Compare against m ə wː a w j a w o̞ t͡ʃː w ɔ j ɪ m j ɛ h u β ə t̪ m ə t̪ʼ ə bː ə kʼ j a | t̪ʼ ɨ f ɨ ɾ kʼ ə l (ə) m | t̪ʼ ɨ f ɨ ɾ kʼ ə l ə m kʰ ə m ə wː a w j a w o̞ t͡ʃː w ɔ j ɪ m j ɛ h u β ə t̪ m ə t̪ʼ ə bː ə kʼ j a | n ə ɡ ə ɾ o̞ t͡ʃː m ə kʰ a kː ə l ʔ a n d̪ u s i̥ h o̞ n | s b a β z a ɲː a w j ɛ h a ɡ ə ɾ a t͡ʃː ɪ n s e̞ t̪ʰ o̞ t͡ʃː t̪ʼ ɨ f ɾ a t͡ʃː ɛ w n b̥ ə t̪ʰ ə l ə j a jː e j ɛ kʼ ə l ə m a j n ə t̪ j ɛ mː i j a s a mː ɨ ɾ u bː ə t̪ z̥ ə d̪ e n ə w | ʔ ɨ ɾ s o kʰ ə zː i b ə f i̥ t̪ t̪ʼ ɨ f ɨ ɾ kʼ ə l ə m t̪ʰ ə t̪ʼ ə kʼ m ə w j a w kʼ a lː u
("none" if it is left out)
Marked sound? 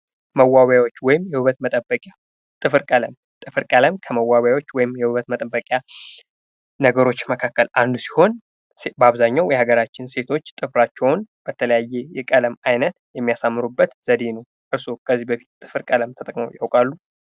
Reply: ə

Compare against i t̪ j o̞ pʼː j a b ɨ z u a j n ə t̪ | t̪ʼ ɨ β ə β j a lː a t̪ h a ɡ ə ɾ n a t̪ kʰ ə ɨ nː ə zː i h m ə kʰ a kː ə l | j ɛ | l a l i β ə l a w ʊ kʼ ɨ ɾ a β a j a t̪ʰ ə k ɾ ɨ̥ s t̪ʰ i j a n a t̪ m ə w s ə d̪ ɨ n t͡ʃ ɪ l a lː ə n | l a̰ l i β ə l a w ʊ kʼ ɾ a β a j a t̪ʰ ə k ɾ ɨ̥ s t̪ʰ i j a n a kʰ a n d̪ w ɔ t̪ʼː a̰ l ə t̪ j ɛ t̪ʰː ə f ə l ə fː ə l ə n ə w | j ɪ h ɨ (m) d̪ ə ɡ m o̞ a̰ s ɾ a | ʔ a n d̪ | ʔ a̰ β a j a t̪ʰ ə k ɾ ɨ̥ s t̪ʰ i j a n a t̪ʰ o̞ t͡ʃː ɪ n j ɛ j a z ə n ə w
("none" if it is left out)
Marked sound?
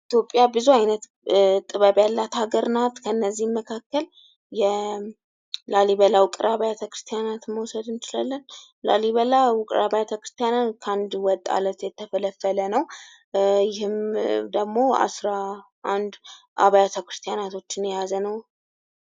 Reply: m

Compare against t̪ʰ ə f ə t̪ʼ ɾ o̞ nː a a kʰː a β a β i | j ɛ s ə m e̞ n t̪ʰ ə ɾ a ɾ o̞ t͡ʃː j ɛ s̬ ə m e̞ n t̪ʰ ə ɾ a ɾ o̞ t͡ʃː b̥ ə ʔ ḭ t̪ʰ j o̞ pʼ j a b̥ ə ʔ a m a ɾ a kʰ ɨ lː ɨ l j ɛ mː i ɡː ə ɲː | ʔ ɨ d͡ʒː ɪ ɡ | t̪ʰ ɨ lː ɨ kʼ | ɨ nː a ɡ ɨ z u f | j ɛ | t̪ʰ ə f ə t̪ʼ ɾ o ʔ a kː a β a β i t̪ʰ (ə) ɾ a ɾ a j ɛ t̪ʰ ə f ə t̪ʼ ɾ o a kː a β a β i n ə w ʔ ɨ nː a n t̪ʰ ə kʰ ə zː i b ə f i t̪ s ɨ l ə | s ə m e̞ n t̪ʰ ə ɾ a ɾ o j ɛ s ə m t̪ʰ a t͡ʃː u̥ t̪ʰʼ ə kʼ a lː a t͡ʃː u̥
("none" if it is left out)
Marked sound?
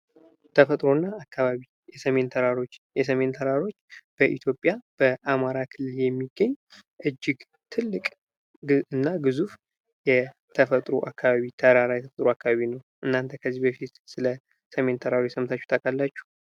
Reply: ə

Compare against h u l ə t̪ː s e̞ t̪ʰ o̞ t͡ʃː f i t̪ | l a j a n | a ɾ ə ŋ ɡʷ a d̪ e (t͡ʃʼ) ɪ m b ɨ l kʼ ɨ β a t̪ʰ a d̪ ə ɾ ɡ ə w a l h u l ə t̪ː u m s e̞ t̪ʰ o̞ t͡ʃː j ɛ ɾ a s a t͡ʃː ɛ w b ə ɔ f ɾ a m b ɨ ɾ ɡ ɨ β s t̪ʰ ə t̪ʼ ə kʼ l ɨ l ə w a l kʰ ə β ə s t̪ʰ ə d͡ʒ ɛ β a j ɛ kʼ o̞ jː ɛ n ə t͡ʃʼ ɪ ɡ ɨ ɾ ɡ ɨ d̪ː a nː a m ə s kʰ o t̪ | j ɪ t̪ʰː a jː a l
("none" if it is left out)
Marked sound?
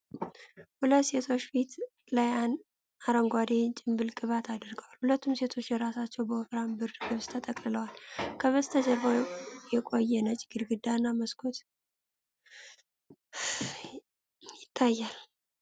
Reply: t͡ʃʼ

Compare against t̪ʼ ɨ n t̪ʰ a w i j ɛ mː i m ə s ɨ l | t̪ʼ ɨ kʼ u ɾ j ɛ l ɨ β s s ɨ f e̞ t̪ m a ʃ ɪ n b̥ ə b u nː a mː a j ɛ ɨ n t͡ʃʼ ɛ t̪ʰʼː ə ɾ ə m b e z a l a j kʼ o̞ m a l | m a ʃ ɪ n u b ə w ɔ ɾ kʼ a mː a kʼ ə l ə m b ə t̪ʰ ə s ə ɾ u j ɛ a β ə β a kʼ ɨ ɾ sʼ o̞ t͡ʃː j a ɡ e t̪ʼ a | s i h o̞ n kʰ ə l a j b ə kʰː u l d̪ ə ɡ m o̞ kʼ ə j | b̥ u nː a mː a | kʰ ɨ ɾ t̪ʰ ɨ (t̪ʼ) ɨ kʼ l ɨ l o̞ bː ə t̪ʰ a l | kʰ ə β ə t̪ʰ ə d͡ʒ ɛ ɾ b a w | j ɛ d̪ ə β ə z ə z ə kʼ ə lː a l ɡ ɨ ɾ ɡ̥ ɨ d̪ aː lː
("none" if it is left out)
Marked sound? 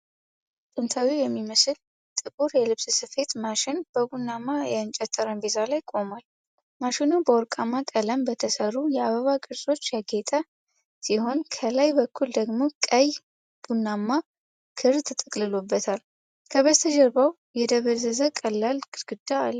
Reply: t̪ʼ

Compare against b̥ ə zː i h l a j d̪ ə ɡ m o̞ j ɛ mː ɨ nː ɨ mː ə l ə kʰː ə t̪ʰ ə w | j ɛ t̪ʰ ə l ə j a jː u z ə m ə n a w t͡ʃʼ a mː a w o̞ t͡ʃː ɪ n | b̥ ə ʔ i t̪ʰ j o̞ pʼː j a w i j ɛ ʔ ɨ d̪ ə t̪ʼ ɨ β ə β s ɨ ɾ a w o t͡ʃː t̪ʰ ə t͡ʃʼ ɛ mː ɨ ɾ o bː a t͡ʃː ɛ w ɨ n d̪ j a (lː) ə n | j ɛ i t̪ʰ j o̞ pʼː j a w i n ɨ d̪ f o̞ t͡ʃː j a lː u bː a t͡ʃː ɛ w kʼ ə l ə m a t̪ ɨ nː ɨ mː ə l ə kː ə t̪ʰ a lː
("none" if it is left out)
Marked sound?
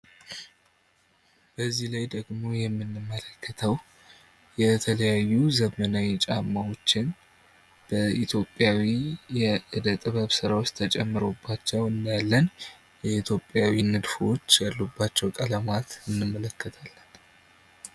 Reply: lː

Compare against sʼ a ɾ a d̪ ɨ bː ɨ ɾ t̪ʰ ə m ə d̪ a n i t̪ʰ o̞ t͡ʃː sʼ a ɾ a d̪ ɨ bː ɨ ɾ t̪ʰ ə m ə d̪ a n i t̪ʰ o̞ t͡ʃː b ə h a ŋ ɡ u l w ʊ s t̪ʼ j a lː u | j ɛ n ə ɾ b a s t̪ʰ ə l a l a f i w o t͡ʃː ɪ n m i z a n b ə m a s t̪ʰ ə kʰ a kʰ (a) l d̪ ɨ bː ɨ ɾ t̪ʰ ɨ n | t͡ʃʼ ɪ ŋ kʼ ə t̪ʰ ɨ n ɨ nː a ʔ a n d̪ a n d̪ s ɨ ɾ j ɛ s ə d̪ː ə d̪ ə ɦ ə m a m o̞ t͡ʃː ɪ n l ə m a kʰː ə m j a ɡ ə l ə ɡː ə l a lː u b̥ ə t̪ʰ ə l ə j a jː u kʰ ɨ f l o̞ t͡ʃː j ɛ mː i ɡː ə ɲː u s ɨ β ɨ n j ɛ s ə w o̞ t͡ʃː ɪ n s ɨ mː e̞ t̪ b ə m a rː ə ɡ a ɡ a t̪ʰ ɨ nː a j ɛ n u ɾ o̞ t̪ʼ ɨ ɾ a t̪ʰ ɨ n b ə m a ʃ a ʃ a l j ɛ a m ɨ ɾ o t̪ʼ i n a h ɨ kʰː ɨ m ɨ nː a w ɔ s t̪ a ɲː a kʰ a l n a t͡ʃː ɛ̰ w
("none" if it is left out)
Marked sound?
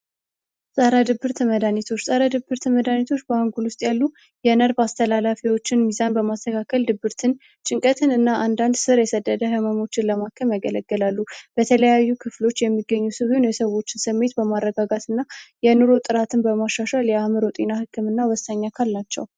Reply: ə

